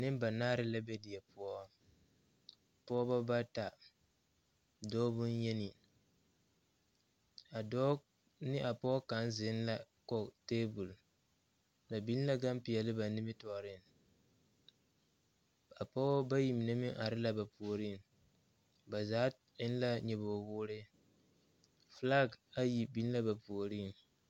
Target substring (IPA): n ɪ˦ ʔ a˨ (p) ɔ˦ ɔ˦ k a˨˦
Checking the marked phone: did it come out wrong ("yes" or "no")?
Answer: no